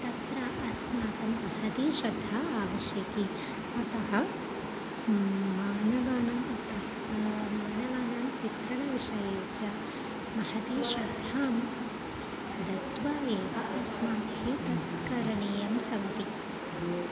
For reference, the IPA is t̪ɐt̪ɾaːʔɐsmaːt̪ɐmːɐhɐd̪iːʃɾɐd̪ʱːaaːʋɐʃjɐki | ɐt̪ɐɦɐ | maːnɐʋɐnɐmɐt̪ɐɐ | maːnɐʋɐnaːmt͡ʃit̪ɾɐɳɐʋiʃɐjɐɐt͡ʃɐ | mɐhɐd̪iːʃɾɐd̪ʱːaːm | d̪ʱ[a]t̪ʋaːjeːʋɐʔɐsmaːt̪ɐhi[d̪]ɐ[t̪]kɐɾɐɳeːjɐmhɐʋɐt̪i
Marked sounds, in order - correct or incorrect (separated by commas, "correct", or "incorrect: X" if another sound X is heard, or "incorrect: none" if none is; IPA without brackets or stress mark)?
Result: incorrect: ɐ, incorrect: t̪, correct